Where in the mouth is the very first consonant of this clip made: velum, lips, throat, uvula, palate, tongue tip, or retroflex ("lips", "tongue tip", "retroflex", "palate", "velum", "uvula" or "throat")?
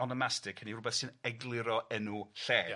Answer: tongue tip